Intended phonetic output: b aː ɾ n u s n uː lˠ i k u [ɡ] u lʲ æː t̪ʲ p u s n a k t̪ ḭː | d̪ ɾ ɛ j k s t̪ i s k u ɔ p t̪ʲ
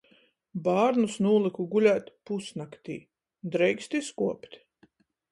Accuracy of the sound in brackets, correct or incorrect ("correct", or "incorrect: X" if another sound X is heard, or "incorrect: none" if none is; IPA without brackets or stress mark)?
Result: correct